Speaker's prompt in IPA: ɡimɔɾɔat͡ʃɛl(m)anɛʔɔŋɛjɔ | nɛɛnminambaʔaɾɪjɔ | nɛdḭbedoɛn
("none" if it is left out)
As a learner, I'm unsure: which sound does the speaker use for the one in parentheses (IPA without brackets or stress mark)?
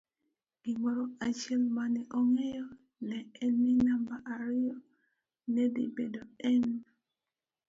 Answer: m